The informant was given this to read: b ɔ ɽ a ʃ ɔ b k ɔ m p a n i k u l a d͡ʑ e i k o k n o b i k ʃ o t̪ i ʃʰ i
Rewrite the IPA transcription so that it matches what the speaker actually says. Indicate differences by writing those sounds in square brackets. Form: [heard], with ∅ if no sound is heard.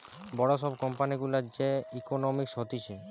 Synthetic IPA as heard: b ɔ ɽ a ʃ ɔ b k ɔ m p a n i [ɡ] u l a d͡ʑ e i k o [∅] n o [m] i k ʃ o t̪ i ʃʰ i